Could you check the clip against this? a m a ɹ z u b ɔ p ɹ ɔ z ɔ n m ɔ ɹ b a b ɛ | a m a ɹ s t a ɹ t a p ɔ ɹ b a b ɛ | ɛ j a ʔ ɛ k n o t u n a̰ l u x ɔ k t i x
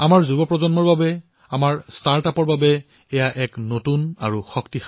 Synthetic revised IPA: a m a ɹ z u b ɔ p ɹ ɔ z ɔ n m ɔ ɹ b a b ɛ | a m a ɹ s t a ɹ t a p ɔ ɹ b a b ɛ | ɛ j a ʔ ɛ k n o t u n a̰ ɹ u x ɔ k t i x